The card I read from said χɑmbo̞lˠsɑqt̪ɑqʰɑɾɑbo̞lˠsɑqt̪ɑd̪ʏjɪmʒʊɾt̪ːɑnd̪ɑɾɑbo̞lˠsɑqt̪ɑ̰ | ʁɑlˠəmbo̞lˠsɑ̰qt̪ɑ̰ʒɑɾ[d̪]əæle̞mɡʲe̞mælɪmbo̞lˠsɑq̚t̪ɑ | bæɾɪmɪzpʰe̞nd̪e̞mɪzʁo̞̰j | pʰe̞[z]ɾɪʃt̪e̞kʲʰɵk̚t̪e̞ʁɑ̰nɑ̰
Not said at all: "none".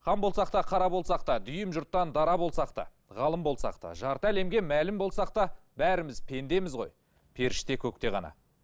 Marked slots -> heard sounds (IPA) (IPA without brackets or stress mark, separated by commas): t̪, none